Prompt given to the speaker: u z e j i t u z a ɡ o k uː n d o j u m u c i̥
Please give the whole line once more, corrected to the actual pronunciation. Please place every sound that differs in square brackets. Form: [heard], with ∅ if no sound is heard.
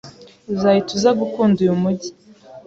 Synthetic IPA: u z [a] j i t u z a ɡ [u] k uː n d [u] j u m u [ɟ] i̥